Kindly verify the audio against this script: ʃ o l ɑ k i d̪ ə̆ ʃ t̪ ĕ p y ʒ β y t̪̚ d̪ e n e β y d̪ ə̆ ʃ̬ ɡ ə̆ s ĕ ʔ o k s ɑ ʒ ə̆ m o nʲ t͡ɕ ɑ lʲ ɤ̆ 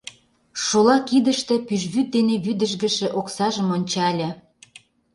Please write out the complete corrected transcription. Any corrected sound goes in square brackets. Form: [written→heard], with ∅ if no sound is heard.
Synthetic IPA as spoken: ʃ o l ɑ k i d̪ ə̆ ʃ t̪ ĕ p y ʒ β y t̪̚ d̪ e n e β y d̪ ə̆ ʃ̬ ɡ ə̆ [s→ʃ] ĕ ʔ o k s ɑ ʒ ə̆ m o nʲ t͡ɕ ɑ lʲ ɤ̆